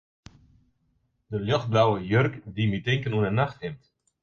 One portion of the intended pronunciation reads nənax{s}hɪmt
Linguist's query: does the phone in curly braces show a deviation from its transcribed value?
yes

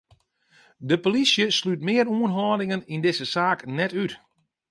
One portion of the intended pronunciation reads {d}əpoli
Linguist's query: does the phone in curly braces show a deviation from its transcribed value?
no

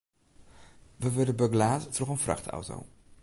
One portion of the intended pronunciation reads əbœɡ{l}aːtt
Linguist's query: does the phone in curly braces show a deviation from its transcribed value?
no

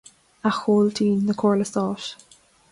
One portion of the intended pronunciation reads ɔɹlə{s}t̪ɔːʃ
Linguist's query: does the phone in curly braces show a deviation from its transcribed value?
no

